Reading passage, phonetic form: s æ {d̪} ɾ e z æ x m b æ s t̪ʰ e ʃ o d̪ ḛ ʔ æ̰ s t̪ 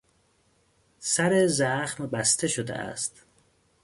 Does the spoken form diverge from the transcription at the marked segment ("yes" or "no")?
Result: yes